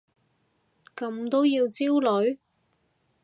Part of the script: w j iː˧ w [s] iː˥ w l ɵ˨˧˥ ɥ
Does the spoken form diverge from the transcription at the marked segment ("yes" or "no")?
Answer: yes